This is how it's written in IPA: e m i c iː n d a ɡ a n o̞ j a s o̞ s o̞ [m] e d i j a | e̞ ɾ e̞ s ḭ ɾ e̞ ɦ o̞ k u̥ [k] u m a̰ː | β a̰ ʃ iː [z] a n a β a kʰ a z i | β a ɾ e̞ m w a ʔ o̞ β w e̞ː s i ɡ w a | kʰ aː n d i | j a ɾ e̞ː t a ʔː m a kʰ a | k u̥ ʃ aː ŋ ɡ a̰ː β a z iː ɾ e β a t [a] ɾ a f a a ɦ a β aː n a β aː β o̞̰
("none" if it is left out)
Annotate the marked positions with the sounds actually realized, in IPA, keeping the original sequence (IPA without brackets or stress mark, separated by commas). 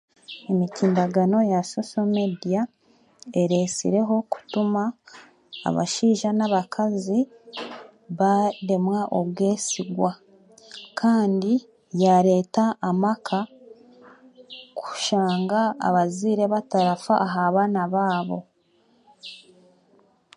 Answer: m, t, ʒ, a